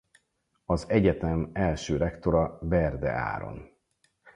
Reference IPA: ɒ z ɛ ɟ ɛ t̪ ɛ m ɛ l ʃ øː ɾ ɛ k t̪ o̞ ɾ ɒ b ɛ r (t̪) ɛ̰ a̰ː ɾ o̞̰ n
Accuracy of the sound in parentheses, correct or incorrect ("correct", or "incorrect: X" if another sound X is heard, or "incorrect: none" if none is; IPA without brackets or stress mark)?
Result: incorrect: d̪